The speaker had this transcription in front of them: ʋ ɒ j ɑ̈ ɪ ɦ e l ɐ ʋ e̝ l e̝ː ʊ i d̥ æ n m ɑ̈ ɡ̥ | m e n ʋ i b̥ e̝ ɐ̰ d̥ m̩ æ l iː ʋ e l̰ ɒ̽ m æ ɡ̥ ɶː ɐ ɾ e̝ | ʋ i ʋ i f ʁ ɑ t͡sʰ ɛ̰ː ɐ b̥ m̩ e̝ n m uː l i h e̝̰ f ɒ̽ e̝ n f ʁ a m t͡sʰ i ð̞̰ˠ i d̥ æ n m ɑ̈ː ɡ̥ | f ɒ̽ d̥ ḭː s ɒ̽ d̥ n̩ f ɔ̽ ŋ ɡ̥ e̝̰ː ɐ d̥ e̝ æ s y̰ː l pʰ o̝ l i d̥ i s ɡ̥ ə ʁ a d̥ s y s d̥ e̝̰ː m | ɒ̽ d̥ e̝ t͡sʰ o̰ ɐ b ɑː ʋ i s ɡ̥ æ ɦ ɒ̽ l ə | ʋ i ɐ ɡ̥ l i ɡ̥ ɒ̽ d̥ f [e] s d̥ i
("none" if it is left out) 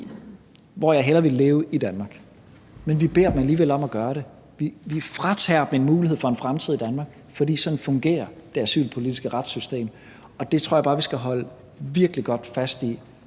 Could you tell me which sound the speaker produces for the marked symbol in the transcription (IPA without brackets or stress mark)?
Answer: æ